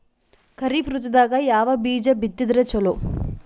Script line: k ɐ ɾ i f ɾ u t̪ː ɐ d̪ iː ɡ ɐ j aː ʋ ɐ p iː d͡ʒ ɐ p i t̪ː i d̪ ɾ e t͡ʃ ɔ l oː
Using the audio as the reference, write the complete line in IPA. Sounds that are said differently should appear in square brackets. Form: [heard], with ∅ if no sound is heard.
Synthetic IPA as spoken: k ɐ ɾ i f ɾ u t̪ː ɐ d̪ [aː] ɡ ɐ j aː ʋ ɐ [b] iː d͡ʒ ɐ [b] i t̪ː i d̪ ɾ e t͡ʃ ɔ l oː